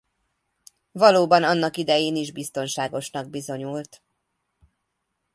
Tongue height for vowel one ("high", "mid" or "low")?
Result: low